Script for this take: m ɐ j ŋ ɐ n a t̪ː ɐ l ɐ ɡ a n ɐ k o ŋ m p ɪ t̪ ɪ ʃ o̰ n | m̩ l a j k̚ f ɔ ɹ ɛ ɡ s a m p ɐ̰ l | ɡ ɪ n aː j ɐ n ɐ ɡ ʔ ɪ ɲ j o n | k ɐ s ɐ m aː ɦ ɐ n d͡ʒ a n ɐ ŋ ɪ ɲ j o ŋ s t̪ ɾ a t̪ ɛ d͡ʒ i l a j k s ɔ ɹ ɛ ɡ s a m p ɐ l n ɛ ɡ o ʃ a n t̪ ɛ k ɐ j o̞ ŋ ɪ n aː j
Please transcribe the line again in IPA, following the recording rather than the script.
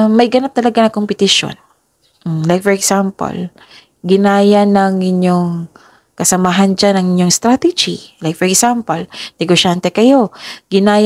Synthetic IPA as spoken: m ɐ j ɡ ɐ n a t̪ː ɐ l ɐ ɡ a n ɐ k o m p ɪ t̪ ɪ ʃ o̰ n | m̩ l a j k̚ f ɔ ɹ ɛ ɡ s a m p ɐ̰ l | ɡ ɪ n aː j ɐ n ɐ ŋ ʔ ɪ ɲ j o ŋ | k ɐ s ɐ m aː ɦ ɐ n d͡ʒ a n ɐ ŋ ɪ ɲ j o ŋ s t̪ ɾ a t̪ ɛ d͡ʒ i l a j k f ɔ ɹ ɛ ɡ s a m p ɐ l n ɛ ɡ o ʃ a n t̪ ɛ k ɐ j o̞ ɡ ɪ n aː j